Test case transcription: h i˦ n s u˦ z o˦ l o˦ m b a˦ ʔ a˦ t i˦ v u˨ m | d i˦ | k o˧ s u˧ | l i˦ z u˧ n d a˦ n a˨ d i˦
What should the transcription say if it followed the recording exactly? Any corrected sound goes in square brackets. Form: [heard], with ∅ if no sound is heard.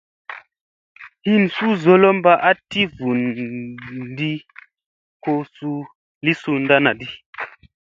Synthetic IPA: h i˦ n s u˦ z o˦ l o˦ m b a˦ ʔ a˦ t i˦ v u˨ [n] | d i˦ | k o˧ s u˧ | l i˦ [s] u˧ n d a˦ n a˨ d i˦